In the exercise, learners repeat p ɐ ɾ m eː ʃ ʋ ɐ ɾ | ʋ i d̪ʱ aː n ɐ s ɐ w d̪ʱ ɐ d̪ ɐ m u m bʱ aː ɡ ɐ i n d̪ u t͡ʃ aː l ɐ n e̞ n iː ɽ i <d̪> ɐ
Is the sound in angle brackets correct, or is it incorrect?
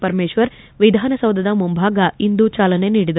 correct